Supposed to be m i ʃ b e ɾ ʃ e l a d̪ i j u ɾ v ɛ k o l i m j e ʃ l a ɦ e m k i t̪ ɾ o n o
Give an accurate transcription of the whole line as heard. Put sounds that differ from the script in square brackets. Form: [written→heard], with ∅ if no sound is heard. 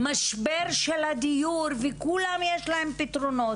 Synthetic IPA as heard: m [i→a] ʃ b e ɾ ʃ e l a d̪ i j u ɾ v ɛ k [o→u] l [i→a] m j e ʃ l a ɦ e m [k→p] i t̪ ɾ o n o